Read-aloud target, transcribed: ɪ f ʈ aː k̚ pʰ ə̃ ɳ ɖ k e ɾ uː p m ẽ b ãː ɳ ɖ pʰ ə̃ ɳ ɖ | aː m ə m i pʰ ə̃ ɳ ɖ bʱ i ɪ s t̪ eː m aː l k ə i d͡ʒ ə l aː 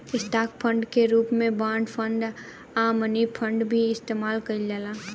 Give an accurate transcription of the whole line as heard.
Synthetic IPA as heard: ɪ s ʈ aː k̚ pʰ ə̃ ɳ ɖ k e ɾ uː p m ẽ b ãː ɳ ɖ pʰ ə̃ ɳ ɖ | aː m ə n i pʰ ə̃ ɳ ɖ bʱ i ɪ s t̪ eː m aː l k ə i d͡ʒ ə l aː

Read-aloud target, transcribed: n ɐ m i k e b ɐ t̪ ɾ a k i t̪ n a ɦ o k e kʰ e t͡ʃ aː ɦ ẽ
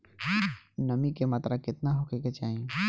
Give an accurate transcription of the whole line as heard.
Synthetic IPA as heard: n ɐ m i k e m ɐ t̪ ɾ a k ɪ t̪ n a ɦ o k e k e t͡ʃ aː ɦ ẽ

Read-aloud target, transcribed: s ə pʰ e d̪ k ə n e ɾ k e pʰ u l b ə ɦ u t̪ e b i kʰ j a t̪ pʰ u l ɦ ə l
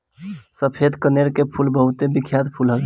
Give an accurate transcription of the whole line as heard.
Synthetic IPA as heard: s ə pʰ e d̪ k ə n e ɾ k e pʰ u l b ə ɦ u t̪ e b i kʰ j a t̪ pʰ u l ɦ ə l

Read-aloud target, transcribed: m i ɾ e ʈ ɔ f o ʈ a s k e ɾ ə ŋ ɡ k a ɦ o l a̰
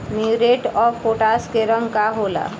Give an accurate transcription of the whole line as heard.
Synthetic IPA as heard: m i ɾ e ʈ ɔ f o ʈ a s k e ɾ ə ŋ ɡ k a ɦ o l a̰

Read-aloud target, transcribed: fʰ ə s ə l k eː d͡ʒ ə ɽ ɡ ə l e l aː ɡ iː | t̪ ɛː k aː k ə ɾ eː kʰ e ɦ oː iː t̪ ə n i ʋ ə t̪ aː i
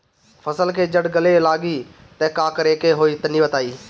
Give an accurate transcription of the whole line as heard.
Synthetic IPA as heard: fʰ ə s ə l k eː d͡ʒ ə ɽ ɡ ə l e l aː ɡ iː | t̪ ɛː k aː k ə ɾ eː k e ɦ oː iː t̪ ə n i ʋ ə t̪ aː iː

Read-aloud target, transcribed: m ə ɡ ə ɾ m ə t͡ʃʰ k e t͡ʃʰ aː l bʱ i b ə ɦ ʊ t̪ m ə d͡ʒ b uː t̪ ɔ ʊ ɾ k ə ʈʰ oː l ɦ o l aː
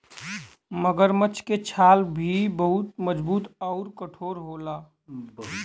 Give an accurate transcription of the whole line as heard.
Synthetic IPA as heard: m ə ɡ ə ɾ m ə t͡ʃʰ k e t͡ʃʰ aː l bʱ i b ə ɦ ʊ t̪ m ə d͡ʒ b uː t̪ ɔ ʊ ɾ k ə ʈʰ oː ɾ ɦ o l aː

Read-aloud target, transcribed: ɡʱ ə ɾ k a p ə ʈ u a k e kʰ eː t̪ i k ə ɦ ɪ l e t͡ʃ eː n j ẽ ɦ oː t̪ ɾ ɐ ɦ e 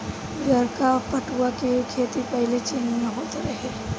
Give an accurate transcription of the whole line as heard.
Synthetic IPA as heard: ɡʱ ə ɾ k a p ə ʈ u a k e kʰ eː t̪ i p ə ɦ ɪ l e t͡ʃ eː n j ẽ ɦ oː t̪ ɾ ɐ ɦ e

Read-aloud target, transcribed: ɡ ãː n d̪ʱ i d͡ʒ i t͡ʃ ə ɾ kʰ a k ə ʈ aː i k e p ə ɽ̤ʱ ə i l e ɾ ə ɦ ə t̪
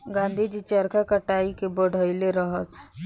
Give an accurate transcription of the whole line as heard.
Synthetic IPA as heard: ɡ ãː n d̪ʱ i d͡ʒ i t͡ʃ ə ɾ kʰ a k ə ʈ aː i k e b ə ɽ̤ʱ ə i l e ɾ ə ɦ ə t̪

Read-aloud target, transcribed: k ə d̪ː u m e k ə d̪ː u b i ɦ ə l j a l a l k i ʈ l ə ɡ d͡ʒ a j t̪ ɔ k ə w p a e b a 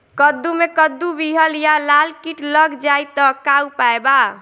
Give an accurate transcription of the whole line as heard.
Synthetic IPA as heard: k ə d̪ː u m e k ə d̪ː u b i ɦ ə l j a l a l k i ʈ l ə ɡ d͡ʒ a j t̪ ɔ k a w p a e b a

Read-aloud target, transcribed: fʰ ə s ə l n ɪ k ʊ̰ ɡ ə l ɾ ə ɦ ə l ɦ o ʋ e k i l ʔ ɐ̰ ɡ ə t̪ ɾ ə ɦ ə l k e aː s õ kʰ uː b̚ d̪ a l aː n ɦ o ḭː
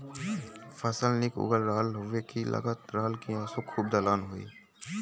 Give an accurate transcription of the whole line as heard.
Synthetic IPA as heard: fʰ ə s ə l n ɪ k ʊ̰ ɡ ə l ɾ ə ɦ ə l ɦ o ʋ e k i l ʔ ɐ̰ ɡ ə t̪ ɾ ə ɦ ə l k i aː s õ kʰ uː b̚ d̪ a l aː n ɦ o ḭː

